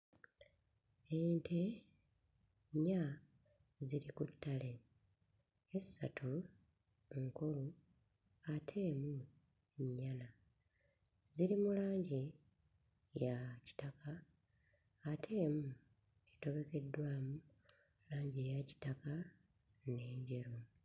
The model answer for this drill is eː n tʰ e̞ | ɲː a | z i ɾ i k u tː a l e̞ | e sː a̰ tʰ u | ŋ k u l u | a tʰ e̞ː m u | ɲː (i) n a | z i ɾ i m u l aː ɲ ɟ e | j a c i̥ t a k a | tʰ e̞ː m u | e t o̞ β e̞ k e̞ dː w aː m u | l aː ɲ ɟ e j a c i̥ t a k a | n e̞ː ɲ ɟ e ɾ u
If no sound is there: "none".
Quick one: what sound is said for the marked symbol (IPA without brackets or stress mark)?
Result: a